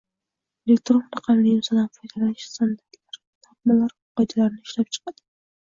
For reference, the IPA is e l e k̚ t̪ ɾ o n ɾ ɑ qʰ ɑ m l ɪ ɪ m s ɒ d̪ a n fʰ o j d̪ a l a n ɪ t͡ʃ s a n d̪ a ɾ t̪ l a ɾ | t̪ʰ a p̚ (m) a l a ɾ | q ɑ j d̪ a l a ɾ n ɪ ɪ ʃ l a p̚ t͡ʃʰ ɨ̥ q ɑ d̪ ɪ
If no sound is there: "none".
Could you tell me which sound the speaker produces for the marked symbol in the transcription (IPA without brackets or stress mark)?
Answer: m